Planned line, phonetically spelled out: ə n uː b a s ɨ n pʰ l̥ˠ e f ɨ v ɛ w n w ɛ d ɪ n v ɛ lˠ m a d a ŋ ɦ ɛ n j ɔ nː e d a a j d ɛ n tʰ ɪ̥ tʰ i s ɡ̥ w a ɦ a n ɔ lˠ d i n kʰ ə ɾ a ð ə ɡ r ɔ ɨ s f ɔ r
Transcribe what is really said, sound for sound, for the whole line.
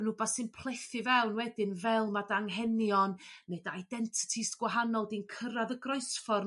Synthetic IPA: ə n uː b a s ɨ n pʰ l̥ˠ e θ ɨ v ɛ w n w ɛ d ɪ n v ɛ lˠ m a d a ŋ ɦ ɛ n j ɔ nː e d a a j d ɛ n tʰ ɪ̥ tʰ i s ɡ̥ w a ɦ a n ɔ lˠ d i n kʰ ə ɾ a ð ə ɡ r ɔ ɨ s f ɔ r